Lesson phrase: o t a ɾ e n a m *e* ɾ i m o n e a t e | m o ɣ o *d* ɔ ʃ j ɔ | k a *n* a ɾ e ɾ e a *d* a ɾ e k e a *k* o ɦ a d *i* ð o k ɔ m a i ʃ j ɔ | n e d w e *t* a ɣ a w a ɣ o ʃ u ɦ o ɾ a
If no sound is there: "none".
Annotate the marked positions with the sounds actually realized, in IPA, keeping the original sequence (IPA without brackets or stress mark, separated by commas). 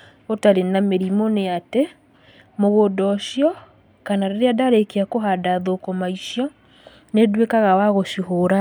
e, d, n, d, k, a, k